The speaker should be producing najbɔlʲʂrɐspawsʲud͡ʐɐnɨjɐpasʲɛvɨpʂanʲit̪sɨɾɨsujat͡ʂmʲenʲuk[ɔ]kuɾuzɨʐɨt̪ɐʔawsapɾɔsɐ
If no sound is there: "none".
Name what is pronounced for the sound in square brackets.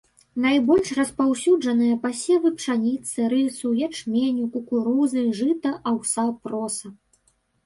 u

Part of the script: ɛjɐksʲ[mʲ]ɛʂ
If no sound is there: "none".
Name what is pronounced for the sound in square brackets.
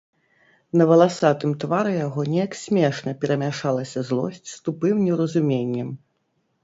mʲ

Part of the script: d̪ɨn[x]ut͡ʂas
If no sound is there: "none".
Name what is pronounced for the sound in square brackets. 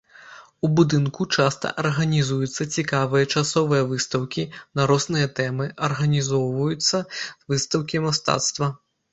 k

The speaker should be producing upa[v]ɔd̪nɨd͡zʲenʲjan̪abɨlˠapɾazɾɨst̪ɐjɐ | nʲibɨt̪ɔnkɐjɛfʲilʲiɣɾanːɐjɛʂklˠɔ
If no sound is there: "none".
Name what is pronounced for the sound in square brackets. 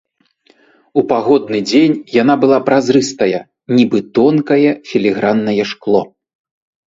ɣ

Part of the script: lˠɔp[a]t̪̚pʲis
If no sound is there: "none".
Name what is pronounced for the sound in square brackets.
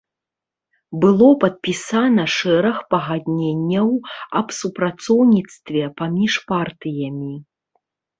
ɐ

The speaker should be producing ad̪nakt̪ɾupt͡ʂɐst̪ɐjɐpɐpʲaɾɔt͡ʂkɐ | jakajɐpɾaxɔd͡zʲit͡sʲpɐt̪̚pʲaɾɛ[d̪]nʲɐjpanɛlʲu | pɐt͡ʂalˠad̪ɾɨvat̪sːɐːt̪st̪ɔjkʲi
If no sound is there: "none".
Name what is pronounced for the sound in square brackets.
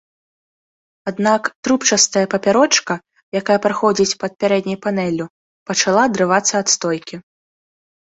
d̪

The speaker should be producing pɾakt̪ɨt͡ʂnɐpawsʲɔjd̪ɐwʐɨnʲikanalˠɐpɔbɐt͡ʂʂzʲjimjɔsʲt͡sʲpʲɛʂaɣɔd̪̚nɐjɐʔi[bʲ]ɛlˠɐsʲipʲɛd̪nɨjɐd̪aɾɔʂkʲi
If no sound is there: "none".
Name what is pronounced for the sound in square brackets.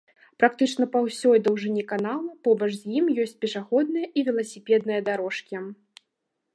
vʲ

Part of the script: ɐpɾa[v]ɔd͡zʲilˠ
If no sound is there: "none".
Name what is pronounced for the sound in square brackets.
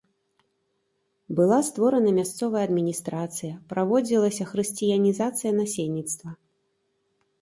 v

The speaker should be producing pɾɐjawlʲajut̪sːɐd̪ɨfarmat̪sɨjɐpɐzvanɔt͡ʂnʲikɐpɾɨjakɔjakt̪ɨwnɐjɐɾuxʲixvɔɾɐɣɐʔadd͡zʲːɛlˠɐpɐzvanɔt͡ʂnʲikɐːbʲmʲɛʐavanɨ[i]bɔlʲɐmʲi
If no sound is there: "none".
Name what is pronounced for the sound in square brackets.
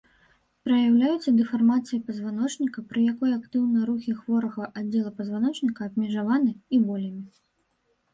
i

